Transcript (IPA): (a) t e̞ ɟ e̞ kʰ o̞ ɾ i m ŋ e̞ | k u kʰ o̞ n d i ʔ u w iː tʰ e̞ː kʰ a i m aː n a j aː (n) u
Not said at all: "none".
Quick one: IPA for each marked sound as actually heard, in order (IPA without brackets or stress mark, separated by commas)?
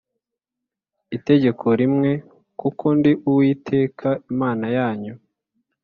i, ɲ